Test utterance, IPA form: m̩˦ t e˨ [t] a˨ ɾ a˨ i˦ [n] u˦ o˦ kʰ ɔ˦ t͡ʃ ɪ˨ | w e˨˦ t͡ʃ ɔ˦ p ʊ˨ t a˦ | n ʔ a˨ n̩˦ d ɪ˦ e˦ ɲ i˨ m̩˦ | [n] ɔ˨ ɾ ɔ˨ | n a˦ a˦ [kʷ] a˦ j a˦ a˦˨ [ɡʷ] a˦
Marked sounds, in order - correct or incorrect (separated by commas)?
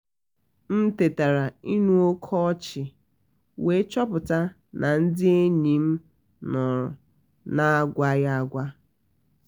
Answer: correct, correct, correct, incorrect, correct